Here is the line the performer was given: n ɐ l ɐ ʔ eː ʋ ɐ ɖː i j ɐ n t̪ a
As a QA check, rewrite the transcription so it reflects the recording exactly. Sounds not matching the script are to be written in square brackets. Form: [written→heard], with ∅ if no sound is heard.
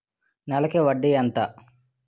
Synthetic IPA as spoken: n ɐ l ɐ [ʔ→k] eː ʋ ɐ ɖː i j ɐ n t̪ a